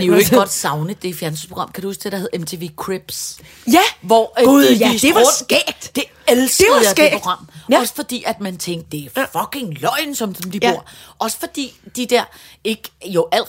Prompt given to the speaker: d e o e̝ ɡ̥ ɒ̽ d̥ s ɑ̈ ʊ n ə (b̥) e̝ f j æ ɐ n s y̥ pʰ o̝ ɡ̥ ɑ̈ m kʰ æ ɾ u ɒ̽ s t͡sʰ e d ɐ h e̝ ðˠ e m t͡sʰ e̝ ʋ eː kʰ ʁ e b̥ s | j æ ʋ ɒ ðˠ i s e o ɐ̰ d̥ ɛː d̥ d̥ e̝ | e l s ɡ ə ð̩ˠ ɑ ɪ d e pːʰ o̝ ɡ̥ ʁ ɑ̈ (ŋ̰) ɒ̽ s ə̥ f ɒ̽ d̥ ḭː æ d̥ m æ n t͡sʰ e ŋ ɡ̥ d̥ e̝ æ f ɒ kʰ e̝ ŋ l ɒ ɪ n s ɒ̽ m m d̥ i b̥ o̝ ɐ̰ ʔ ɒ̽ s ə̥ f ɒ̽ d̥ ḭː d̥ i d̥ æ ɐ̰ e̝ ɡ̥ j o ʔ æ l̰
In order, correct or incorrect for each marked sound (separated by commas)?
incorrect, incorrect